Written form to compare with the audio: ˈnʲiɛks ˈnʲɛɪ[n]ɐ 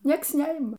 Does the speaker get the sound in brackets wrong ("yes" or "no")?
yes